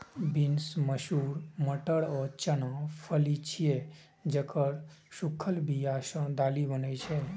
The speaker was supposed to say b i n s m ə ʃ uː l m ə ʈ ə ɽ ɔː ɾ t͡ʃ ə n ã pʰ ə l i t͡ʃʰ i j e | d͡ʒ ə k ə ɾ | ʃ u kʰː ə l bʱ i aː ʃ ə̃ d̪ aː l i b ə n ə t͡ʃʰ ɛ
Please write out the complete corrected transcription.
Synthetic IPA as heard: b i n s m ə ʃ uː ɾ m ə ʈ ə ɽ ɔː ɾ t͡ʃ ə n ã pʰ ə l i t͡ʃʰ i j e | d͡ʒ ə k ə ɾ | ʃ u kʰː ə l bʱ i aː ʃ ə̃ d̪ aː l i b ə n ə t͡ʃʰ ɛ

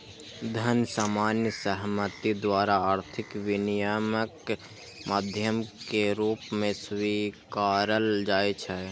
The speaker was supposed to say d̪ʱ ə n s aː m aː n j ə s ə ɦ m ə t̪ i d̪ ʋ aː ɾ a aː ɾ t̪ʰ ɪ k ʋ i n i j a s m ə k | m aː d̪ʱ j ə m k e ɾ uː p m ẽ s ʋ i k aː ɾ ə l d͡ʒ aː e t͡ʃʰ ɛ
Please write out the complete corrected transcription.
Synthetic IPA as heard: d̪ʱ ə n s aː m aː n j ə s ə ɦ m ə t̪ i d̪ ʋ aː ɾ a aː ɾ t̪ʰ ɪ k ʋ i n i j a m ə k | m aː d̪ʱ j ə m k e ɾ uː p m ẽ s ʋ i k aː ɾ ə l d͡ʒ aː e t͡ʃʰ ɛ

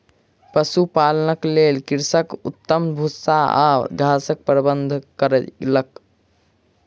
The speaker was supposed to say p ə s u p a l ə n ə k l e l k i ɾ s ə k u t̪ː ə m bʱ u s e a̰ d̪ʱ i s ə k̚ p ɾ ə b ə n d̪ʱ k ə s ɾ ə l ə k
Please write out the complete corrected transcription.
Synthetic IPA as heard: p ə s u p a l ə n ə k l e l k i ɾ s ə k u t̪ː ə m bʱ u s a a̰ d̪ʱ a s ə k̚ p ɾ ə b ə n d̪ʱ k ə ɾ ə l ə k

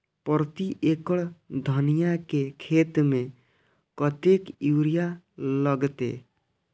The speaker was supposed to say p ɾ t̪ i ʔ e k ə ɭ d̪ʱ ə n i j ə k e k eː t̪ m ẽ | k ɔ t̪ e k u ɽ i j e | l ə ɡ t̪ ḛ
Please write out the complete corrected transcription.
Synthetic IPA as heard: p ɾ t̪ i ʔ e k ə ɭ d̪ʱ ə n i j a k e kʰ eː t̪ m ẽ | k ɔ t̪ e k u ɾ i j a | l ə ɡ t̪ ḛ

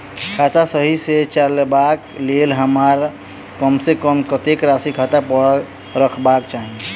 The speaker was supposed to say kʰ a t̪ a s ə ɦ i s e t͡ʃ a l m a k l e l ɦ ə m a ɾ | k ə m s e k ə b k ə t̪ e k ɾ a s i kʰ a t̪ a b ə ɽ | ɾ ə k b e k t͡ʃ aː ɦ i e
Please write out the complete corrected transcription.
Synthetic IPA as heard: kʰ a t̪ a s ə ɦ i s e t͡ʃ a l b a k l e l ɦ ə m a ɾ | k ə m s e k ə m k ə t̪ e k ɾ a s i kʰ a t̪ a p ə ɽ | ɾ ə kʰ b a k t͡ʃ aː ɦ i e

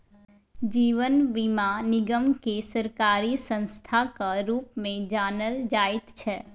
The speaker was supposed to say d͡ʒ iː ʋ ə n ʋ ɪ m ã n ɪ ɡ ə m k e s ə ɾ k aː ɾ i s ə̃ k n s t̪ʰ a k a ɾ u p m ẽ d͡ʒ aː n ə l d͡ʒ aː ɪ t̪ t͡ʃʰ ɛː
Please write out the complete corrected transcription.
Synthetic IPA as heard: d͡ʒ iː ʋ ə n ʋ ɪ m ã n ɪ ɡ ə m k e s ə ɾ k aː ɾ i s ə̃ n s t̪ʰ a k a ɾ uː p m ẽ d͡ʒ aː n ə l d͡ʒ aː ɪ t̪ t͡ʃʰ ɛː

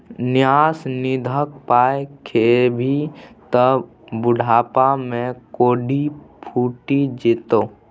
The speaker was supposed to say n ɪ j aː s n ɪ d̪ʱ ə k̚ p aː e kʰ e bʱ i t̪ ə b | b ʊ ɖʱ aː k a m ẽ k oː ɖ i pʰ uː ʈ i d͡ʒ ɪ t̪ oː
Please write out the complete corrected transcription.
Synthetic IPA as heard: n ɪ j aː s n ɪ d̪ʱ ə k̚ p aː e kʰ e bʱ i t̪ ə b | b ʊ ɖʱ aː p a m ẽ k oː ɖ i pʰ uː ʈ i d͡ʒ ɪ t̪ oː

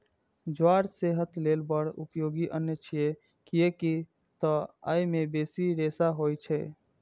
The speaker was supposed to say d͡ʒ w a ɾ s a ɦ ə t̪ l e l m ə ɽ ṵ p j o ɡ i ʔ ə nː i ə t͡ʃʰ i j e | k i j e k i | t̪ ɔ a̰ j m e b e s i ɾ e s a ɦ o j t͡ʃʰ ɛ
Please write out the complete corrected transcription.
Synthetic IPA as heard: d͡ʒ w a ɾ s e ɦ ə t̪ l e l b ə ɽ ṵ p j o ɡ i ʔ ə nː j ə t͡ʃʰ i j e | k i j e k i | t̪ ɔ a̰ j m e b e s i ɾ e s a ɦ o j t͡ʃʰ ɛ

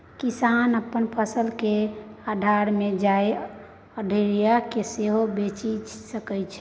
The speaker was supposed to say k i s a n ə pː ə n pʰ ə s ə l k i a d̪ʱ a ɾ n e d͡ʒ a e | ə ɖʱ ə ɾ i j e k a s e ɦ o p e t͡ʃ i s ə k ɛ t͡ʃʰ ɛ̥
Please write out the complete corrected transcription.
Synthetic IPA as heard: k i s a n ə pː ə n pʰ ə s ə l k e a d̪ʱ a ɾ m e d͡ʒ a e | ə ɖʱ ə ɾ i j a k e s e ɦ o b e t͡ʃ i s ə k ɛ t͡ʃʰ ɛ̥

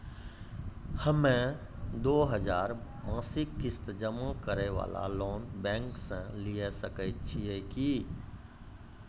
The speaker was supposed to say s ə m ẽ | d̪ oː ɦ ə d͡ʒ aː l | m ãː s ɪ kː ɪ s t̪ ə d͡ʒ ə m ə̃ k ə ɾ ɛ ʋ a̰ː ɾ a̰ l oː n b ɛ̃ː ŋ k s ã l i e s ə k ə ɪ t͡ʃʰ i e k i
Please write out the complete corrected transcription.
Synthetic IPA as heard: h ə m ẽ | d̪ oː ɦ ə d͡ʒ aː ɾ | m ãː s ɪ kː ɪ s t̪ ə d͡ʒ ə m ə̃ k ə ɾ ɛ ʋ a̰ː l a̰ l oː n b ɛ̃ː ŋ k s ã l i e s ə k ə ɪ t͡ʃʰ i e k i

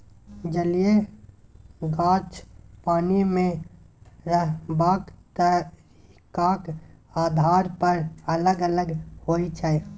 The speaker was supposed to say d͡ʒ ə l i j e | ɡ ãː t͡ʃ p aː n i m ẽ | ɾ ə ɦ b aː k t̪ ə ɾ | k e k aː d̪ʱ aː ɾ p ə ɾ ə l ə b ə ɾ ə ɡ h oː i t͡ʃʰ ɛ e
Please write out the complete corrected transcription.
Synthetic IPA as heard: d͡ʒ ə l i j e | ɡ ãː t͡ʃ p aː n i m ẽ | ɾ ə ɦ b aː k t̪ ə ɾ | k a k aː d̪ʱ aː ɾ p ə ɾ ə l ə ɡ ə l ə ɡ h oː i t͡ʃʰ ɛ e

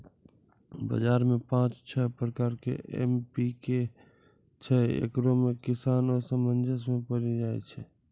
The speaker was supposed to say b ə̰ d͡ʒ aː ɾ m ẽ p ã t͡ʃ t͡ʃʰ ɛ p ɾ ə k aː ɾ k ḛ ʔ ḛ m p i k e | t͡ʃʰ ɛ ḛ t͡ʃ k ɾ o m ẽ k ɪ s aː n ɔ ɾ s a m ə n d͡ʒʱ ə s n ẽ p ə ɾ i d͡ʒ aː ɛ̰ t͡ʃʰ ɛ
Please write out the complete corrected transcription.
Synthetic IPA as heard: b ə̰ d͡ʒ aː ɾ m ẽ p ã t͡ʃ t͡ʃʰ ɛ p ɾ ə k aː ɾ k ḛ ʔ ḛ m p i k e | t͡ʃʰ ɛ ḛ k ɾ o m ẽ k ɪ s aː n ɔ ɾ s ə m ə n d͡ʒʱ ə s m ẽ p ə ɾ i d͡ʒ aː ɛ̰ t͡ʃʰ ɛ

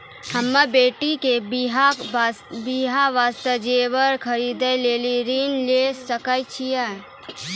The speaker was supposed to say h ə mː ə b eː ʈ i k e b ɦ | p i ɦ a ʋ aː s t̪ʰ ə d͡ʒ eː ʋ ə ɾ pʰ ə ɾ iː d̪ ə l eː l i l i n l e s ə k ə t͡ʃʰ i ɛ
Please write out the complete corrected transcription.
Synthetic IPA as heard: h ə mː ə b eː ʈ i k e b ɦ | b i ɦ a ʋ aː s t̪ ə d͡ʒ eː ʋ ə ɾ kʰ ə ɾ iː d̪ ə l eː l i ɾ i n l e s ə k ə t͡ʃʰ i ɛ

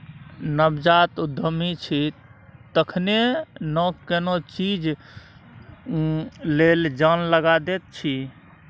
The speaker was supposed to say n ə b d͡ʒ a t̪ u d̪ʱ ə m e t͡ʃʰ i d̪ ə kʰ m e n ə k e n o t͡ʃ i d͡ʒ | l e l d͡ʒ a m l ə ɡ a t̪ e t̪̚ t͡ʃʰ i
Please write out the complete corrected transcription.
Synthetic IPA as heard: n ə b d͡ʒ a t̪ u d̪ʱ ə m i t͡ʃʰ i t̪ ə kʰ n e n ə k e n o t͡ʃ i d͡ʒ | l e l d͡ʒ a n l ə ɡ a d̪ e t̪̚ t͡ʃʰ i

